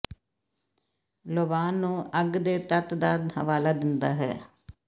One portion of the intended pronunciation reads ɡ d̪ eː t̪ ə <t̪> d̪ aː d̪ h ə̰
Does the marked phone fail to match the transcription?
no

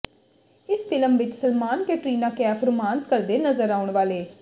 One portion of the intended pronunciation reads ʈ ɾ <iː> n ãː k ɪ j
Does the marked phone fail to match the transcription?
no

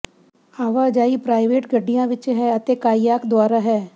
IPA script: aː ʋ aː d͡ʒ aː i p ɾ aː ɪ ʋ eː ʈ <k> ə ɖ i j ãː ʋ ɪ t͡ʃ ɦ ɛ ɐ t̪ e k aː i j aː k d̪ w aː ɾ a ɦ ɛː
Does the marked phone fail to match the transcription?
yes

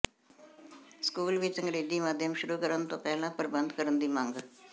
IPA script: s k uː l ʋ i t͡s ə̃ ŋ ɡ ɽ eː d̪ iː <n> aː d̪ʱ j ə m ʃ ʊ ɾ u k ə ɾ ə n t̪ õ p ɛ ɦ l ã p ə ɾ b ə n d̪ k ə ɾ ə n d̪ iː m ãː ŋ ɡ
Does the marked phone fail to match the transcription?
yes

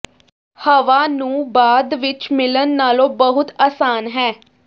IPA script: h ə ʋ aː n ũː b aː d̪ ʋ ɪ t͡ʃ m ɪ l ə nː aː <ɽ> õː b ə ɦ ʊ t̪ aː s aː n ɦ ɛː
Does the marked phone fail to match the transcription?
yes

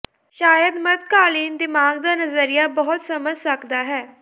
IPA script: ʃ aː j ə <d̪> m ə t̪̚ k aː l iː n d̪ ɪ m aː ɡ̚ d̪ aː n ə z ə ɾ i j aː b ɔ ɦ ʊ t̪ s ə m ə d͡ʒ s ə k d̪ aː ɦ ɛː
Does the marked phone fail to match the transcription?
no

